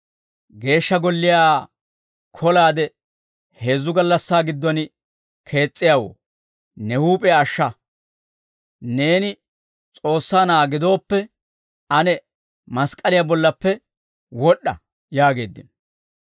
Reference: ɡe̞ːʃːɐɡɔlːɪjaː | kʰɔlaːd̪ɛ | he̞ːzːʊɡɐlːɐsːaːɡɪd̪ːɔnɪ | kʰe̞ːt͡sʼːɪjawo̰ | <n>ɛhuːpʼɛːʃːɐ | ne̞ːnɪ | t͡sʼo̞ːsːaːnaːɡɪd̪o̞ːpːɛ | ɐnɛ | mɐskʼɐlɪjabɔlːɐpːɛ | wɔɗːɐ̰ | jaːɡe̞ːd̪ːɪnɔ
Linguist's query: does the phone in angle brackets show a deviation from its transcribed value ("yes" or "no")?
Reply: no